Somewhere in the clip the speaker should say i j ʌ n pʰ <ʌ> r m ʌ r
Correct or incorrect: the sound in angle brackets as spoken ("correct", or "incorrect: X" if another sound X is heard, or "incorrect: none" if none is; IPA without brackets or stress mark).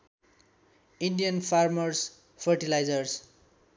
incorrect: a